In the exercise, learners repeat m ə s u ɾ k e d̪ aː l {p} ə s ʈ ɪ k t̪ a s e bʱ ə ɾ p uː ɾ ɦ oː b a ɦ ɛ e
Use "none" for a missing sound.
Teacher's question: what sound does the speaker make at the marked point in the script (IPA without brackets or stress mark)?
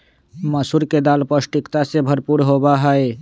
p